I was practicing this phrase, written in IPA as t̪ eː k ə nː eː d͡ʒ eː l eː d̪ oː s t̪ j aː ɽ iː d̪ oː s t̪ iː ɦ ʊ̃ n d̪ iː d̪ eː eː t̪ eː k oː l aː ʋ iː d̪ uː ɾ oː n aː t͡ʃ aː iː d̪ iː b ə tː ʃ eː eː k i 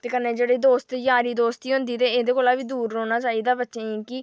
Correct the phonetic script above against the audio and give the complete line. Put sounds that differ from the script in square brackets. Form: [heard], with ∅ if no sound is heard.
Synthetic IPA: t̪ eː k ə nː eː d͡ʒ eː [ɽ] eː d̪ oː s t̪ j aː [ɾ] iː d̪ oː s t̪ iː ɦ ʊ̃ n d̪ iː [t̪] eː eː [d̪] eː k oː l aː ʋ iː d̪ uː ɾ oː n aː t͡ʃ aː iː d̪ [aː] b ə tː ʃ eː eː k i